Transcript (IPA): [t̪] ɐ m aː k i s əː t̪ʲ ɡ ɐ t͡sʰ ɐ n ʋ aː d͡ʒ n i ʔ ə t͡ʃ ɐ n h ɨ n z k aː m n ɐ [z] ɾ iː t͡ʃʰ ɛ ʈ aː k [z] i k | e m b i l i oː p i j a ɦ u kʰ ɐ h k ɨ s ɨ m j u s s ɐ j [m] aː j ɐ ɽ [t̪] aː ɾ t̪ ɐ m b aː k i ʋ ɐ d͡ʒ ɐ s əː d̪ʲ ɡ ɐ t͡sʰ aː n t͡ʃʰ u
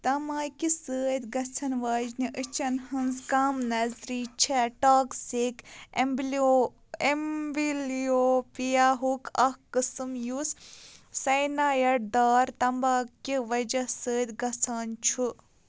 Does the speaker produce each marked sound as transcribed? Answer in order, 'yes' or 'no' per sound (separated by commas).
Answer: yes, yes, no, no, no